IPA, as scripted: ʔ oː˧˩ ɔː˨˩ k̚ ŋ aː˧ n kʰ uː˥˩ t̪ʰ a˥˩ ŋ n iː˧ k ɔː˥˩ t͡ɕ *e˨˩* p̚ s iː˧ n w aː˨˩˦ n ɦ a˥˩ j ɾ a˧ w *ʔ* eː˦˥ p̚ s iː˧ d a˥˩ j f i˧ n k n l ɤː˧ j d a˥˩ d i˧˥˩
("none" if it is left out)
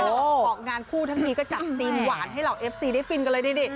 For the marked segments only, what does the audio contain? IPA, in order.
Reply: a˨˩, ʔ

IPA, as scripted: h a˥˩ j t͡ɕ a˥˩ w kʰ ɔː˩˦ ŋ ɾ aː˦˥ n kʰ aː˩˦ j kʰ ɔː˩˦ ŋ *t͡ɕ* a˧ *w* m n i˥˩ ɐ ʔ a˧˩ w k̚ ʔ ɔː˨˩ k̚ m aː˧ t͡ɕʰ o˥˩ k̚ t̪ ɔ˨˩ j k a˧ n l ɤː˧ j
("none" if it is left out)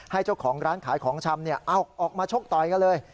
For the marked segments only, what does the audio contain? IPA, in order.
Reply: t͡ɕʰ, none

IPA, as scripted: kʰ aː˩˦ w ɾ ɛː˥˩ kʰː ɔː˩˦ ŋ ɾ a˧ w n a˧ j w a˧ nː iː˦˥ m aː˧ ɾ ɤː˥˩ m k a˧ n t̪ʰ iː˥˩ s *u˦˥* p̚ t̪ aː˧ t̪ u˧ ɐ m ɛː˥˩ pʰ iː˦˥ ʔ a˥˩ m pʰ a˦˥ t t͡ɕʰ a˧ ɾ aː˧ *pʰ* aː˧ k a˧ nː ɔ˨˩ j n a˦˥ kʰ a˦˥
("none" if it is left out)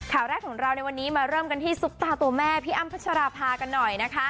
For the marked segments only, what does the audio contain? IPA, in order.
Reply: u˦˥, pʰ

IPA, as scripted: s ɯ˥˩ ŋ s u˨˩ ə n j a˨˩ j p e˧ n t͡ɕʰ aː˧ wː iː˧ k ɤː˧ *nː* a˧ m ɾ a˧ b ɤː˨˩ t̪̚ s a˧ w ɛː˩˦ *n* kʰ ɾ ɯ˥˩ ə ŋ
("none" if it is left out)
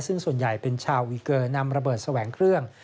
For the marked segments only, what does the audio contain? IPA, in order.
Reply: n, ŋ

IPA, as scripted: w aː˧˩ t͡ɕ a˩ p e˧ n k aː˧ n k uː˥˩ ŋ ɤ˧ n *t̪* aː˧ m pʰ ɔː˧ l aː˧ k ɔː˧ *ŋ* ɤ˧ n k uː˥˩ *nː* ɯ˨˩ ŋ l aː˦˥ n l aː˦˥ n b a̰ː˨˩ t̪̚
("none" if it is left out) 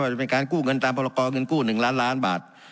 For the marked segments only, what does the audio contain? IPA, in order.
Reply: t̪, ŋ, n

